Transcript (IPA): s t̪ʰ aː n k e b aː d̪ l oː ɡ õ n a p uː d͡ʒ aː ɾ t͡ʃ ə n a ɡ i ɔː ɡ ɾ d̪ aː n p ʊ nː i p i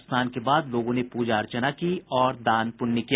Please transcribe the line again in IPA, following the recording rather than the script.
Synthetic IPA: s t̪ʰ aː n k e b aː d̪ l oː ɡ õ n e p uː d͡ʒ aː ɾ t͡ʃ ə n a k i ɔː ɾ d̪ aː n p ʊ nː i k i